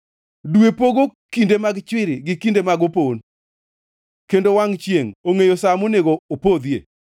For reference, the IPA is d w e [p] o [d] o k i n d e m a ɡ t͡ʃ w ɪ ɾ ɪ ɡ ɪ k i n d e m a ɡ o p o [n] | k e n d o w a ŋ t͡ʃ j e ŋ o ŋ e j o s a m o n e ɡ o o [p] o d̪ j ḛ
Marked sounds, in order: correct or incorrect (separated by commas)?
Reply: correct, incorrect, correct, correct